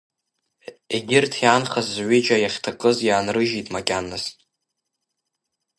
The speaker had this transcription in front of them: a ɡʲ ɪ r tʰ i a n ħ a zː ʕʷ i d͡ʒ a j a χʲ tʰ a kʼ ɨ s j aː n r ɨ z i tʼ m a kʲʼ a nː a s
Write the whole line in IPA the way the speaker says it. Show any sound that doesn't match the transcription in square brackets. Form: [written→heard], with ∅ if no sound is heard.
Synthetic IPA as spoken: [a→e] ɡʲ ɪ r tʰ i a n [ħ→χ] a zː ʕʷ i d͡ʒ a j a χʲ tʰ a kʼ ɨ [s→z] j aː n r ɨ [z→ʒ] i tʼ m a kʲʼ a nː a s